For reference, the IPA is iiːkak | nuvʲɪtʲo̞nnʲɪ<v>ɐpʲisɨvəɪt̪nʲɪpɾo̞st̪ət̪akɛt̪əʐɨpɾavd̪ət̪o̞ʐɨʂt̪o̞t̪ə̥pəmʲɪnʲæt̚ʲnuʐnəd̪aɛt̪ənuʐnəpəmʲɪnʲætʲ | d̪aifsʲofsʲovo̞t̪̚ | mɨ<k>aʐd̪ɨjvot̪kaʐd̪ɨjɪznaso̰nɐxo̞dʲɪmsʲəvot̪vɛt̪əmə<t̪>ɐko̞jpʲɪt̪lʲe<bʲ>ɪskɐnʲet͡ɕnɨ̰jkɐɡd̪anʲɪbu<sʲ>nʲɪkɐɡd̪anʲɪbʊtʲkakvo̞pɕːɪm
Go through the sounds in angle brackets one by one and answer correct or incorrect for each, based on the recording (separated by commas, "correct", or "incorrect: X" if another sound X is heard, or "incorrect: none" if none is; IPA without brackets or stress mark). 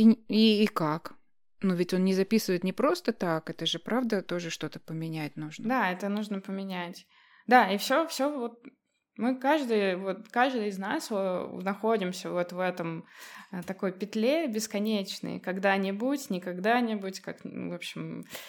incorrect: z, correct, correct, correct, incorrect: tʲ